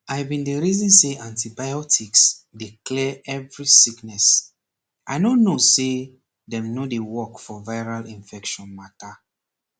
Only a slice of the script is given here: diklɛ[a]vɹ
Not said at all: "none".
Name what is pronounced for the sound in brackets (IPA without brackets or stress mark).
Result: ɛ